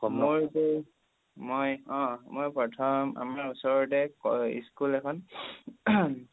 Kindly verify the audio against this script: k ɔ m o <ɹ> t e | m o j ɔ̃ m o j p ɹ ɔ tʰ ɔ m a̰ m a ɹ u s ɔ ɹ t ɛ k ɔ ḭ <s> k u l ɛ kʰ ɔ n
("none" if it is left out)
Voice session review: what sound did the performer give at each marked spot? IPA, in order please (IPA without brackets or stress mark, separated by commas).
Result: ɹ, s